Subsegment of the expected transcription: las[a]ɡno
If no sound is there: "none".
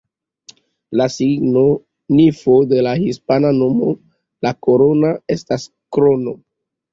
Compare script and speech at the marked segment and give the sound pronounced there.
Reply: i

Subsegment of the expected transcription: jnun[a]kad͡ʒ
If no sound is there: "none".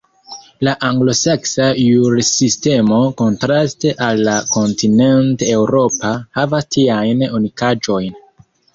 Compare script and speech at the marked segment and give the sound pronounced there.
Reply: i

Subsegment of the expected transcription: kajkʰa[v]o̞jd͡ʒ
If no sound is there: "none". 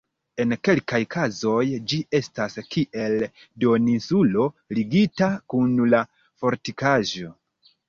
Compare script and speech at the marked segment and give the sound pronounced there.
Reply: z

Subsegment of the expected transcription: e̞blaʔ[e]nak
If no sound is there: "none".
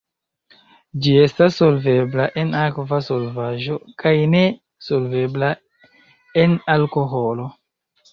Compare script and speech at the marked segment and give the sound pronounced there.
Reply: e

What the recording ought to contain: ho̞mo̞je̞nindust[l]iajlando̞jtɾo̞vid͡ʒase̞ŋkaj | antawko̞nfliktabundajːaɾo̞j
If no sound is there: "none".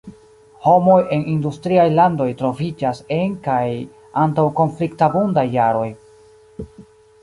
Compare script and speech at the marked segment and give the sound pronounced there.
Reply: ɾ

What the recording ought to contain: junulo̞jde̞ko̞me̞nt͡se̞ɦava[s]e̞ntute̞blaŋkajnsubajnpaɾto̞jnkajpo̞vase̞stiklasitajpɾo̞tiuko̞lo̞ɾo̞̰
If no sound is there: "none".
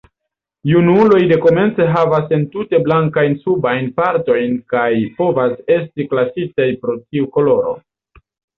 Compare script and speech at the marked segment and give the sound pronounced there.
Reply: s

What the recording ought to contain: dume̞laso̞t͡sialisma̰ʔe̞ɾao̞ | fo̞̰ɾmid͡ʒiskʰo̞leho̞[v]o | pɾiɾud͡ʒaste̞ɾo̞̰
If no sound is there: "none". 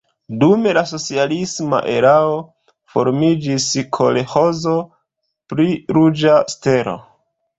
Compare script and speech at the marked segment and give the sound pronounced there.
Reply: z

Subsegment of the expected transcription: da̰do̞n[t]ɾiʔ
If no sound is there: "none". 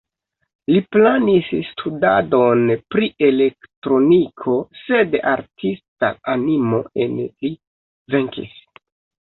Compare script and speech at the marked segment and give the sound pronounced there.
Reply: p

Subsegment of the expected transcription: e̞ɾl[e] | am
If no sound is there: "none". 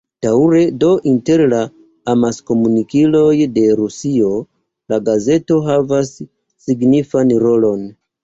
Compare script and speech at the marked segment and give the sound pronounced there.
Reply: a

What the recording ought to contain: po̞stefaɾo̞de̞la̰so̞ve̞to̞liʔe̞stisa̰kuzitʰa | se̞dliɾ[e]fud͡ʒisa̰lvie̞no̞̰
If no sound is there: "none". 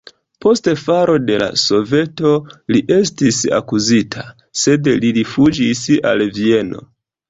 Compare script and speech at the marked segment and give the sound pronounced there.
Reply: i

